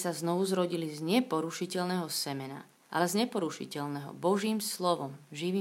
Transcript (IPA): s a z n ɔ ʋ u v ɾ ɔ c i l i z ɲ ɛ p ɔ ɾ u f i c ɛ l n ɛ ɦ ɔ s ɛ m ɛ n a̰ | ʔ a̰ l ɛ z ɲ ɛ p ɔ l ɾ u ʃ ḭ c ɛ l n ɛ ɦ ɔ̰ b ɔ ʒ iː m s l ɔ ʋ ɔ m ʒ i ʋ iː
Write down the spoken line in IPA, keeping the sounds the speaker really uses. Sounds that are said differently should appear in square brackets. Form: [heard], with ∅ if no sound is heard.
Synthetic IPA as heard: s a z n ɔ ʋ u [z] ɾ ɔ [ɟ] i l i z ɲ ɛ p ɔ ɾ u [ʃ] i c ɛ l n ɛ ɦ ɔ s ɛ m ɛ n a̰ | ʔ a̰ l ɛ z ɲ ɛ p ɔ [∅] ɾ u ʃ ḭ c ɛ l n ɛ ɦ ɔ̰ b ɔ ʒ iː m s l ɔ ʋ ɔ m ʒ i ʋ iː